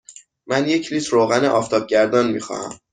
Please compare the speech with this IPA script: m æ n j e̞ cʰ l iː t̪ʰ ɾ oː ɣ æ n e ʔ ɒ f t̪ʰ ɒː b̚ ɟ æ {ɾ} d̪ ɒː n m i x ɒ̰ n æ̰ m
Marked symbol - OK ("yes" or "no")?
yes